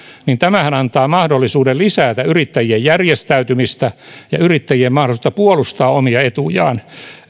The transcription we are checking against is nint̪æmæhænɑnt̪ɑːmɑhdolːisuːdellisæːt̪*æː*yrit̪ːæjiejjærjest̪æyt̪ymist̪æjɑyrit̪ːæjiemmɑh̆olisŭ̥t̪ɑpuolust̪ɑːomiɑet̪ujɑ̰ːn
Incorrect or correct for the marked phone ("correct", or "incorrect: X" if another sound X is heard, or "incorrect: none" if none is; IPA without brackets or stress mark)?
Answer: incorrect: æ